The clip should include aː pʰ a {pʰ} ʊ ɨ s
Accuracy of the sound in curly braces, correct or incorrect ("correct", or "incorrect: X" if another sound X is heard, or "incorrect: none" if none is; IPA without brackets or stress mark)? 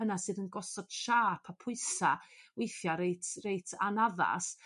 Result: correct